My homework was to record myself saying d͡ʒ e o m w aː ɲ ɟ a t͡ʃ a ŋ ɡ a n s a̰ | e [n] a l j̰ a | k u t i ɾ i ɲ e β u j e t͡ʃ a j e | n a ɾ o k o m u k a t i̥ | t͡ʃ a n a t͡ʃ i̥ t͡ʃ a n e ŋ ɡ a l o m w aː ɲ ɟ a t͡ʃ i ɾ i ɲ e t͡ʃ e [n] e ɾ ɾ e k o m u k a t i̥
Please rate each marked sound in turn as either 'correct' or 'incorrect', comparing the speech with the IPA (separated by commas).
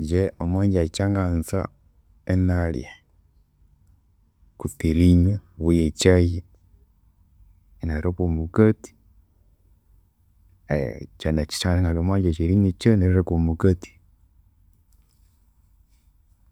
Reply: correct, correct